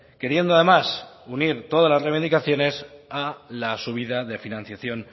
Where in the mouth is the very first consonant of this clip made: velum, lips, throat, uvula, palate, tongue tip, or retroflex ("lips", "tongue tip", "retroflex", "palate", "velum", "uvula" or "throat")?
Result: velum